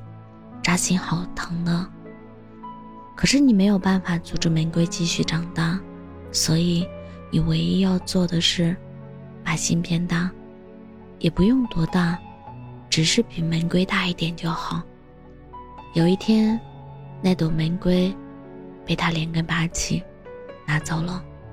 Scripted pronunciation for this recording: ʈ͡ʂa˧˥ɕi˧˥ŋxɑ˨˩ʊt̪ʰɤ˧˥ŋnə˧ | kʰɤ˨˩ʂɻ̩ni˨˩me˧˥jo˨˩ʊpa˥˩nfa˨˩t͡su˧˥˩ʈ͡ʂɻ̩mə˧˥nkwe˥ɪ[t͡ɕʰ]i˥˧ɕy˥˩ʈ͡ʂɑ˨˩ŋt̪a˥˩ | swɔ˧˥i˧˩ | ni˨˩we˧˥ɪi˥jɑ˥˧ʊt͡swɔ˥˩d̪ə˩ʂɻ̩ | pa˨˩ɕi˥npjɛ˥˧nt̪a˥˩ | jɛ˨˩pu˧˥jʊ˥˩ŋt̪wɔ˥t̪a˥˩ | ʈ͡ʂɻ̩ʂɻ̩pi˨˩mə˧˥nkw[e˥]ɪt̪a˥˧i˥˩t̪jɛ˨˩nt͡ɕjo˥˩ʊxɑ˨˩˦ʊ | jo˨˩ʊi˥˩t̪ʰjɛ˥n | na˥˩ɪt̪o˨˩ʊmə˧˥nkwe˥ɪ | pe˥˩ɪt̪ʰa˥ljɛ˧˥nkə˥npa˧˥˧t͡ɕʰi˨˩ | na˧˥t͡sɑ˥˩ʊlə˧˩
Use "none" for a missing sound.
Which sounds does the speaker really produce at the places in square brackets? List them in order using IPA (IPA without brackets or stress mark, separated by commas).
t͡ɕ, e˥